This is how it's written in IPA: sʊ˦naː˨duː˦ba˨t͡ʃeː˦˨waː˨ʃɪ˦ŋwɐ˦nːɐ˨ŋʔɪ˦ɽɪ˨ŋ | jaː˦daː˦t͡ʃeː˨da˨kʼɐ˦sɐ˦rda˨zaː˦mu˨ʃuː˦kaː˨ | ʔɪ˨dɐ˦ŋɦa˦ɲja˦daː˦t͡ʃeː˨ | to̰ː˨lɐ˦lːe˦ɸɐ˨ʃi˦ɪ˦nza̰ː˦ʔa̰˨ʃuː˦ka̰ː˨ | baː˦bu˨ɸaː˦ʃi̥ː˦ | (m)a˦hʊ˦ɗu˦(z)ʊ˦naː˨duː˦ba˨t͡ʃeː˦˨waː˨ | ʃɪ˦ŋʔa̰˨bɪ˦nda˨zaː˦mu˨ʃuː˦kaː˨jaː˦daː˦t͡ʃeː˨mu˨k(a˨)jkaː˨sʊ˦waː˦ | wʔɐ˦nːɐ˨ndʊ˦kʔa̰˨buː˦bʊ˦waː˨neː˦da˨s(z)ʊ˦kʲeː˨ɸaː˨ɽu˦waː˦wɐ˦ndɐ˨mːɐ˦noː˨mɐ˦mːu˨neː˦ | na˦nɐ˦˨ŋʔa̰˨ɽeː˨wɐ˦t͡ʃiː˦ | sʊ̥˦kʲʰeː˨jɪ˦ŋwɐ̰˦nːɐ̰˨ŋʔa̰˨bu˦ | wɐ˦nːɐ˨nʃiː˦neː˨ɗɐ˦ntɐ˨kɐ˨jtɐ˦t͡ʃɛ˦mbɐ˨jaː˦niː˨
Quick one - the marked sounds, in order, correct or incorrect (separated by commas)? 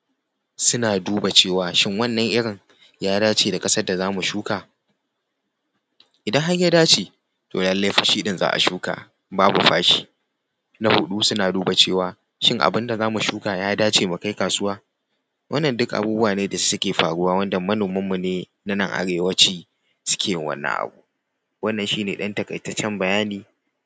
incorrect, incorrect, incorrect, incorrect